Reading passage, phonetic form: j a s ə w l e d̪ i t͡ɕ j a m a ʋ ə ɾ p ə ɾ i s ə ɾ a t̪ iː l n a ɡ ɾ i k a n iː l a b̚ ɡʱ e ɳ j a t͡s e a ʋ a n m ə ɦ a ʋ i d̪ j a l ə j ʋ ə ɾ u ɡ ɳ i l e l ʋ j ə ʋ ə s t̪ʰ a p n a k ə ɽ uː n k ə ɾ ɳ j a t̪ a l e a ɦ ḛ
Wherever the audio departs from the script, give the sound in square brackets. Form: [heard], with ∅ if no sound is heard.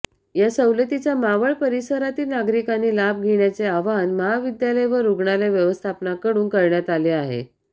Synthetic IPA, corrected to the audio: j a s ə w l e [t̪] i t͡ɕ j a m a ʋ ə [ɭ] p ə ɾ i s ə ɾ a t̪ iː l n a ɡ ɾ i k a n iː l a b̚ ɡʱ e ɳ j a t͡s e a ʋ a n m ə ɦ a ʋ i d̪ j a l ə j ʋ ə ɾ u ɡ ɳ [a] l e [∅] ʋ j ə ʋ ə s t̪ʰ a p n a k ə ɽ uː n k ə ɾ ɳ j a t̪ a l e a ɦ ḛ